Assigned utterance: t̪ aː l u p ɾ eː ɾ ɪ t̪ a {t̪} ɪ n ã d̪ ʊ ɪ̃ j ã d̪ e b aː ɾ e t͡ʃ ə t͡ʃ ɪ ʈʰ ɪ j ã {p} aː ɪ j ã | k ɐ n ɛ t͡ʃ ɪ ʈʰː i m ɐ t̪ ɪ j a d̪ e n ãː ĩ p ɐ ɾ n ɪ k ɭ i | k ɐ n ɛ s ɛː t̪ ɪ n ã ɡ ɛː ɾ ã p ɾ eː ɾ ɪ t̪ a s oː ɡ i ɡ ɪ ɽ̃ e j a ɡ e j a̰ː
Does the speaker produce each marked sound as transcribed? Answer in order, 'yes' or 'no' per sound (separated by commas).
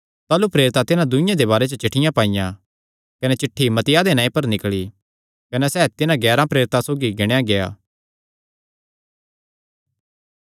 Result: yes, yes